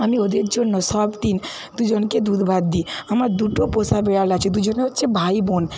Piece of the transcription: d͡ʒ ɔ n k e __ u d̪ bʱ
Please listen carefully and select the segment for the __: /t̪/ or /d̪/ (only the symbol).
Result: d̪